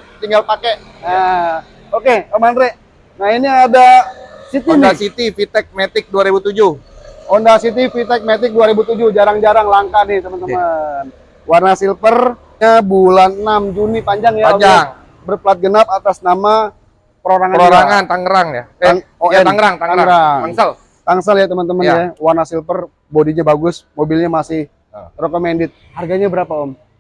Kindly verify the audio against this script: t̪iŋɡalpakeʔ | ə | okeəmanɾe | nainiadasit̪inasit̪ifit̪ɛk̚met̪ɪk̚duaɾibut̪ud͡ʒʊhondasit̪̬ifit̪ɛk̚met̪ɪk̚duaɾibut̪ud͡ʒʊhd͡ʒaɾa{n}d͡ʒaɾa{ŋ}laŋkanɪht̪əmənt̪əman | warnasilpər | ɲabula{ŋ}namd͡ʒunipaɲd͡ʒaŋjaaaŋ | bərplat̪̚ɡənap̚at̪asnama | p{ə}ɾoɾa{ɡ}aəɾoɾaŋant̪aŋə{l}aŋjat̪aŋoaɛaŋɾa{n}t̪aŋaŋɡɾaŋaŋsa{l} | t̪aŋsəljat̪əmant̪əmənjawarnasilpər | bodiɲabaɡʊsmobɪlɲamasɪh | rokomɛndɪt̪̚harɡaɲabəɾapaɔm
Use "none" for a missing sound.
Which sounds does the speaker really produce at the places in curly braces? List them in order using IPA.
ŋ, ŋ, n, ə, ŋ, ɾ, ŋ, l

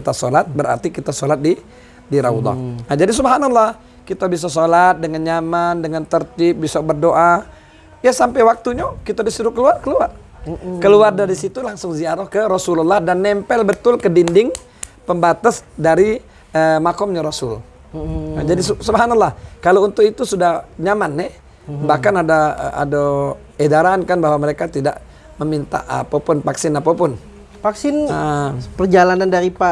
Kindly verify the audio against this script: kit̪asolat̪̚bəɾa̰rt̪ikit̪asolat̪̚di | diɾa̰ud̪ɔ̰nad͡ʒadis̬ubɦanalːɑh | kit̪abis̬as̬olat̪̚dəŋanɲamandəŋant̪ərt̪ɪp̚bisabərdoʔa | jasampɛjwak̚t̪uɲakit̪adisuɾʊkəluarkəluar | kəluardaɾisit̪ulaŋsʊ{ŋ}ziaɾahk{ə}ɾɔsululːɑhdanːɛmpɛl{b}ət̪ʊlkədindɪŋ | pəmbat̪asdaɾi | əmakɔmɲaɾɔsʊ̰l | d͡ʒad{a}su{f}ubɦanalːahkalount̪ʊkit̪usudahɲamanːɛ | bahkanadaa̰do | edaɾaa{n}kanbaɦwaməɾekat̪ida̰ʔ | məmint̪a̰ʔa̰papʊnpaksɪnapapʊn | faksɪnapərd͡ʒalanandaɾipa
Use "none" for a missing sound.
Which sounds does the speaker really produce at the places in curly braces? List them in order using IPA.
ŋ, ə, b, i, s, n

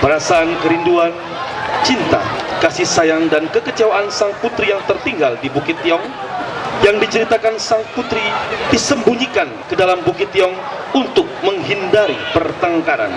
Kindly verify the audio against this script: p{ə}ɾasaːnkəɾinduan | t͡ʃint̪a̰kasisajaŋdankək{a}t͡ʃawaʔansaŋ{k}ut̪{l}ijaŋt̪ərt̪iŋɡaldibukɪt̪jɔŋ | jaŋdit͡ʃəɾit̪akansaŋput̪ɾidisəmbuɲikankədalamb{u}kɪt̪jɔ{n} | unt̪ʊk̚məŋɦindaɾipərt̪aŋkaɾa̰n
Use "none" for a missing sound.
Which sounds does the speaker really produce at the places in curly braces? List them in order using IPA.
ə, ə, p, ɾ, u, ŋ

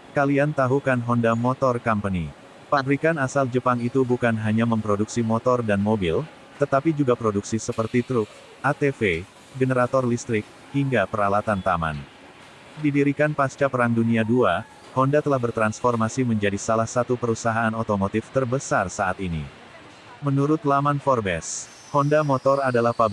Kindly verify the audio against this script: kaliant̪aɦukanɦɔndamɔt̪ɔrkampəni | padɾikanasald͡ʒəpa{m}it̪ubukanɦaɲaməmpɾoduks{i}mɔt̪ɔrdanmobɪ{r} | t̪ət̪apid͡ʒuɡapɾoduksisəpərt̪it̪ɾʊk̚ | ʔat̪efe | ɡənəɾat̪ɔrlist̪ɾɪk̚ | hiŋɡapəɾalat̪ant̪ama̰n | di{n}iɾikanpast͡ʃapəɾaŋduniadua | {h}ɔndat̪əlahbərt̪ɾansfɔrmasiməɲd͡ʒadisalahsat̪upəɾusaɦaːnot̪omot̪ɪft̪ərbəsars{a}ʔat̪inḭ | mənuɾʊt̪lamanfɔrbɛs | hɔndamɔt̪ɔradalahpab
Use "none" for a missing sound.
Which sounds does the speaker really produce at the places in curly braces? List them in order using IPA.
ŋ, i, l, d, h, a

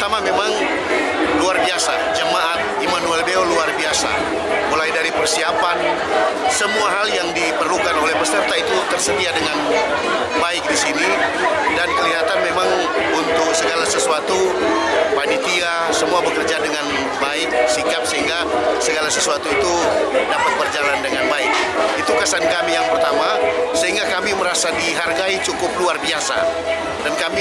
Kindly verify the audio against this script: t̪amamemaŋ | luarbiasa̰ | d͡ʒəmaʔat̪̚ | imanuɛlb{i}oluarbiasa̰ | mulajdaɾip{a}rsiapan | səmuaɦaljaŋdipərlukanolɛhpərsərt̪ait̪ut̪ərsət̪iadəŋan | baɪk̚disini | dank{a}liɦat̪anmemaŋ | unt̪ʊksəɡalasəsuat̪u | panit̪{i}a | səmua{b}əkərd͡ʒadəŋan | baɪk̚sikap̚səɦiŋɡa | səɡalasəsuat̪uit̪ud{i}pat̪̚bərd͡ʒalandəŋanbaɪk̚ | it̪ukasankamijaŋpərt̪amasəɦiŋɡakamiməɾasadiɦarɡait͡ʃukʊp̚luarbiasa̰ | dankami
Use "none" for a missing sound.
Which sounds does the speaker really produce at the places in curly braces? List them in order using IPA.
e, ə, ə, i, b, a

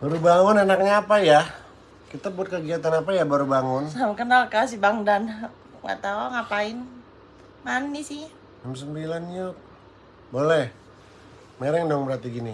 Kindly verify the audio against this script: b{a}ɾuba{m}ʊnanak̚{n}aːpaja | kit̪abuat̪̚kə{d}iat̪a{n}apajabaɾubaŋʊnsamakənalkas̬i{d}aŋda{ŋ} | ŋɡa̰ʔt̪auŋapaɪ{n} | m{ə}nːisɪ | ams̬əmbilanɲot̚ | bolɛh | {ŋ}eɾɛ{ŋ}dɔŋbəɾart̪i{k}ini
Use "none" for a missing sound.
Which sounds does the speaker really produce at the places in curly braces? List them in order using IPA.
a, ŋ, ɲ, ɡ, n, b, n, n, a, m, ŋ, ɡ

